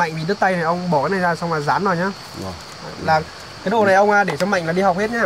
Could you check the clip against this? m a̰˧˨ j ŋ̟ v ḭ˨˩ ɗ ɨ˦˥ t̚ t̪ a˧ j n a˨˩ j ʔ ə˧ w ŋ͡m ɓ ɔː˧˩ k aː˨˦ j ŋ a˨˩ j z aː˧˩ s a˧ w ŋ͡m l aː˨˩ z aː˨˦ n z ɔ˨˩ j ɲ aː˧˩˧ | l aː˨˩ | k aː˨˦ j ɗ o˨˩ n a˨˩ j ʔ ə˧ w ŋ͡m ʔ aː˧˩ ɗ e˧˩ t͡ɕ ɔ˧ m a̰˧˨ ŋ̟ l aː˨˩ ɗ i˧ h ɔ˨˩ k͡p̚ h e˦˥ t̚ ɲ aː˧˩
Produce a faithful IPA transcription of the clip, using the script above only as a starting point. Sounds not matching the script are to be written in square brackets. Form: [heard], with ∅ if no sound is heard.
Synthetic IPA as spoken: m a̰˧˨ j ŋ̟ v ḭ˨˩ ɗ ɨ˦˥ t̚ t̪ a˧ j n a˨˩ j ʔ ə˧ w ŋ͡m ɓ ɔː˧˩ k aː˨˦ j [n] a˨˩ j z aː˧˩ s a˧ w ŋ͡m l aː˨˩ z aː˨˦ n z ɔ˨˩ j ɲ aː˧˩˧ | l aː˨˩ | k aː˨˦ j ɗ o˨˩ n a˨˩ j ʔ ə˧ w ŋ͡m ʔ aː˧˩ ɗ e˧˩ t͡ɕ ɔ˧ m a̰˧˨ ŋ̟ l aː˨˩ ɗ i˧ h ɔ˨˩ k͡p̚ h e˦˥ t̚ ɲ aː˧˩